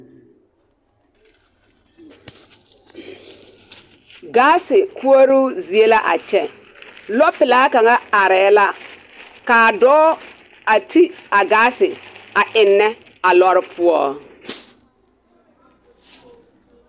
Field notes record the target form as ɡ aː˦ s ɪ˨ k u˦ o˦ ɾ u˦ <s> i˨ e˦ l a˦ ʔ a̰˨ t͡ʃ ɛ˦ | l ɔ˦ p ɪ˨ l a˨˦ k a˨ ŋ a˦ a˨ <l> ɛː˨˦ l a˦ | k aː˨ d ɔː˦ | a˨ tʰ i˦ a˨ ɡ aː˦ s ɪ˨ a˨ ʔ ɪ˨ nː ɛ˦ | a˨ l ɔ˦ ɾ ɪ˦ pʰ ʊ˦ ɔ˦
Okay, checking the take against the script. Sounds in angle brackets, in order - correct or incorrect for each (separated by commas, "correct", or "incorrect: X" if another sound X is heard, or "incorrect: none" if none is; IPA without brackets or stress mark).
incorrect: z, incorrect: ɾ